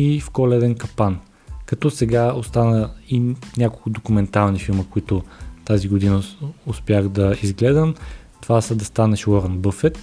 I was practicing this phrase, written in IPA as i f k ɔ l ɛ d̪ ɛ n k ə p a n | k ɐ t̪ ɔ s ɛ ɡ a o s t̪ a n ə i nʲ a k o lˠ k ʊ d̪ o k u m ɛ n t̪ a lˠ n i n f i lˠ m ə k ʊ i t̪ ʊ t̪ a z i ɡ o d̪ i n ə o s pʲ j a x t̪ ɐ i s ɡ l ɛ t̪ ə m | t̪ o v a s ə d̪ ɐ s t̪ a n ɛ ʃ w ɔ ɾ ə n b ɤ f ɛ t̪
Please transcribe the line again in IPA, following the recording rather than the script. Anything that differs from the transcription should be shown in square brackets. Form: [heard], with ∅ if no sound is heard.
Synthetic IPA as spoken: i f k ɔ l ɛ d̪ ɛ n k [ɐ] p a n | k ɐ t̪ ɔ s ɛ ɡ a o s t̪ a n ə i nʲ a k o lˠ k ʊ d̪ o k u m ɛ n t̪ a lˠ n i [∅] f i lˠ m ə k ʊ i t̪ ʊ t̪ a z i ɡ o d̪ i n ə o s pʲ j a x [d̪] ɐ i [z] ɡ l ɛ [d̪] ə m | t̪ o v a s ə d̪ ɐ s t̪ a n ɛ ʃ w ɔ ɾ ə n b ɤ f ɛ t̪